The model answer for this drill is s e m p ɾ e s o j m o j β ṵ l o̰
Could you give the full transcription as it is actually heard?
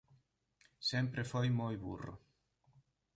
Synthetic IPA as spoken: s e m p ɾ e f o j m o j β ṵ r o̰